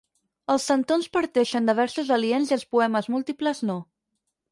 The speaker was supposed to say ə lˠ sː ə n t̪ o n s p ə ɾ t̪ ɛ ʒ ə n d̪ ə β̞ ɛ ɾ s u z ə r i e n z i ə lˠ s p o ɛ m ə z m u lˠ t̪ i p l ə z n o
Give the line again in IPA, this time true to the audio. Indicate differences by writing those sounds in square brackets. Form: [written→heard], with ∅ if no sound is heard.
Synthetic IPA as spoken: ə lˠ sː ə n t̪ o n s p ə ɾ t̪ ɛ [ʒ→ʃ] ə n d̪ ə β̞ ɛ ɾ s u z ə [r→l] i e n z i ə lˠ s p [o→u] ɛ m ə z m u lˠ t̪ i p l ə z n o